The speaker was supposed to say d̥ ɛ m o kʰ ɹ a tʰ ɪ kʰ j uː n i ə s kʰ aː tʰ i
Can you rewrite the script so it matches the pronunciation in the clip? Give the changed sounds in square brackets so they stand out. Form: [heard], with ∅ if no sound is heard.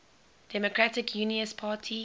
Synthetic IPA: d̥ ɛ m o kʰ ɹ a [t] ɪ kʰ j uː n i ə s [pʰ] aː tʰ i